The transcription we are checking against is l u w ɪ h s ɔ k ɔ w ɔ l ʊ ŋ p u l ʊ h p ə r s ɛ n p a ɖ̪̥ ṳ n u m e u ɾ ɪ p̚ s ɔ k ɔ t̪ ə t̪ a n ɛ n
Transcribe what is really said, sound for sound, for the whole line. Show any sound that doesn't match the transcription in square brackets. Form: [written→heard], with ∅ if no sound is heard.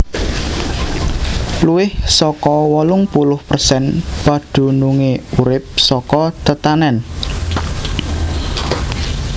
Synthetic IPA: l u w ɪ h s ɔ k ɔ w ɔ l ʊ ŋ p u l ʊ h p ə r s ɛ n p a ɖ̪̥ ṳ n u [m→ŋ] e u ɾ ɪ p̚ s ɔ k ɔ t̪ ə t̪ a n ɛ n